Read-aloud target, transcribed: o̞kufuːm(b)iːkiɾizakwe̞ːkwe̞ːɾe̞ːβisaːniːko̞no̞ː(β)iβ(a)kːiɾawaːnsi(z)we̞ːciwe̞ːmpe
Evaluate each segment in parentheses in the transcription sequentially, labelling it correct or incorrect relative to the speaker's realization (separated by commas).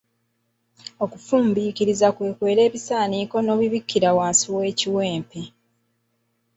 correct, correct, incorrect, incorrect